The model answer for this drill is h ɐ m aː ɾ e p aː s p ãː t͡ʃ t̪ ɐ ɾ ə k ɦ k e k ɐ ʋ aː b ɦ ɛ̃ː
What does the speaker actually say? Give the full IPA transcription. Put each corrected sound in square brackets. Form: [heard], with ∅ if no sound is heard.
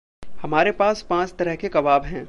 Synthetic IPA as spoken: h ɐ m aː ɾ e p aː s p ãː t͡ʃ t̪ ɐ ɾ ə [∅] ɦ k e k ɐ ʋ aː b ɦ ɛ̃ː